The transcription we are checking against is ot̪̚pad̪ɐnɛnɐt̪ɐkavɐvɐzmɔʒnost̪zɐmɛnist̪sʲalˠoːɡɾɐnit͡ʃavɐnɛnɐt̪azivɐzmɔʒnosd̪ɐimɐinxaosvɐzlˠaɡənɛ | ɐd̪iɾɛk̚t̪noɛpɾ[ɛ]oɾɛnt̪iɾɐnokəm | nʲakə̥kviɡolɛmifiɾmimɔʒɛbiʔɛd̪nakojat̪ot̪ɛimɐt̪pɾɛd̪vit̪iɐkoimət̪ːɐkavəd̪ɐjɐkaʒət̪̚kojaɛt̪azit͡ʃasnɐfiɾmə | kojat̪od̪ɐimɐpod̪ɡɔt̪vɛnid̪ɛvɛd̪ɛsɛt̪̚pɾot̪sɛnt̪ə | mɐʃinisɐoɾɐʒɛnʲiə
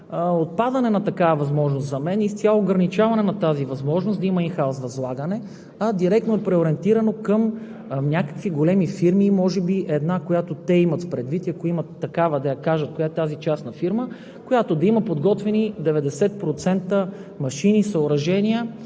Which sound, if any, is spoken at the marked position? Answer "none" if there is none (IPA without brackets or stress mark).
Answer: ɛ